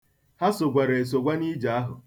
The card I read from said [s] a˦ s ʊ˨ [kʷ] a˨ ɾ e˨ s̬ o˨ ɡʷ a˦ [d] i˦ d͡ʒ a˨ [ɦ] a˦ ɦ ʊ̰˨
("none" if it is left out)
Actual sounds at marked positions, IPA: h, ɡʷ, n, none

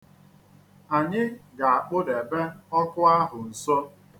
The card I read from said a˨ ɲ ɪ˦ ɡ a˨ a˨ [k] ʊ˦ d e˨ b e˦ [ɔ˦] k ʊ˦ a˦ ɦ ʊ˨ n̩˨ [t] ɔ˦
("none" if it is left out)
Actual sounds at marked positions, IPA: k͡p, ɔ˦, s

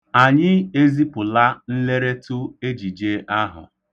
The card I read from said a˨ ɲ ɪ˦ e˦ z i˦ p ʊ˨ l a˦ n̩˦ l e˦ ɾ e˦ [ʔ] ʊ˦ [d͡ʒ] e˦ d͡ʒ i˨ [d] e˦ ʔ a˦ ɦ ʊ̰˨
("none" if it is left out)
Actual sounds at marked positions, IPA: t, none, d͡ʒ

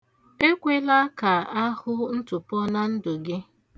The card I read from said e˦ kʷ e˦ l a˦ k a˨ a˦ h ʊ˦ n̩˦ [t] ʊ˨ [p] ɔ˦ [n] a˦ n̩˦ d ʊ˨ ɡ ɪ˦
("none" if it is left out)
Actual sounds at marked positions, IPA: t, p, n

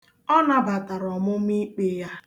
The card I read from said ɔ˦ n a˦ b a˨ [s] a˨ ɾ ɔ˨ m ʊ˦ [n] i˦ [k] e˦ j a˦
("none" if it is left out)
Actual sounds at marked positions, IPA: t, m, k͡p

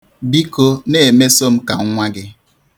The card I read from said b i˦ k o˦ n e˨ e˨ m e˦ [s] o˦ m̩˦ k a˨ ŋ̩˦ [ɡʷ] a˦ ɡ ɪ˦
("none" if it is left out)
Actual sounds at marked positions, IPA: s, ŋʷ

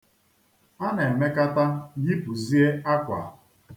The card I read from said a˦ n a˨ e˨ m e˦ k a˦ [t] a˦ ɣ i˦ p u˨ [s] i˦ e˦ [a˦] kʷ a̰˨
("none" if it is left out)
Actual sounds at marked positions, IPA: t, z, a˦

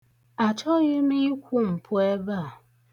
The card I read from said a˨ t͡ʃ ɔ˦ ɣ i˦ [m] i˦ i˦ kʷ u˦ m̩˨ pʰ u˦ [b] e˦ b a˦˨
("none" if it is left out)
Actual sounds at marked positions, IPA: m, none

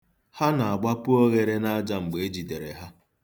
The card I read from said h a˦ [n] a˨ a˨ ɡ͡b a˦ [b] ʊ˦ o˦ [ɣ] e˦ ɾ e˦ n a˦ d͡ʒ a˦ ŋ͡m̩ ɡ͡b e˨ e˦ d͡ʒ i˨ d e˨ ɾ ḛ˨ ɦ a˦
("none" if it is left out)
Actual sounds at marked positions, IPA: n, p, ɣ

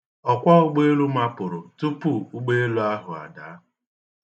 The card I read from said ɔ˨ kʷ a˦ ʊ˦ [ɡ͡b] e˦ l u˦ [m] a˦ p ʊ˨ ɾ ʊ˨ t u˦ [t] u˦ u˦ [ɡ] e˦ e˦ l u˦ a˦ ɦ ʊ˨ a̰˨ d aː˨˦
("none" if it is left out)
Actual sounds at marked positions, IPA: ɡ͡b, m, p, ɡ͡b

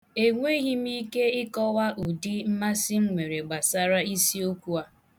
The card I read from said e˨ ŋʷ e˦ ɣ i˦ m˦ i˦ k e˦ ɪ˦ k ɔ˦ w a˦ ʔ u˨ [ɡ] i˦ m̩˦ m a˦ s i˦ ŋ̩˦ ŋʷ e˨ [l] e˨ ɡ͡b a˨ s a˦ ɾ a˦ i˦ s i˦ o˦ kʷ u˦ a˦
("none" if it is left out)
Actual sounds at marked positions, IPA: d, ɾ

